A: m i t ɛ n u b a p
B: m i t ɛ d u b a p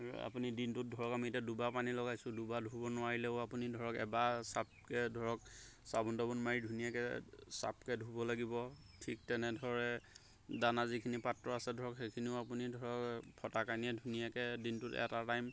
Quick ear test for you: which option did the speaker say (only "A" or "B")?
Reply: B